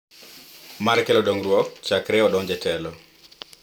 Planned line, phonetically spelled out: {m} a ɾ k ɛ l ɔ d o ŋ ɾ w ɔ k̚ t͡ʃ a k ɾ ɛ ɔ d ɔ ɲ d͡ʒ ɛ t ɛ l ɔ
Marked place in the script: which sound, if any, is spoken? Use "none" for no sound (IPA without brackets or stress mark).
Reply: m